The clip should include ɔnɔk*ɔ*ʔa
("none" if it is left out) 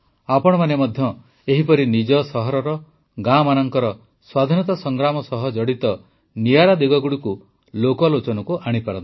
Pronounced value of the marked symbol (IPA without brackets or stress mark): u